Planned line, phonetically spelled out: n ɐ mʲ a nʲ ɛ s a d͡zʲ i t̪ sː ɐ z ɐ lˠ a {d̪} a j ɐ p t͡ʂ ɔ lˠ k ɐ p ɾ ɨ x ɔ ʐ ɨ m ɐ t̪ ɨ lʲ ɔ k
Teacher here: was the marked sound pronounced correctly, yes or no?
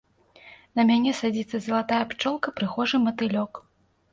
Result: no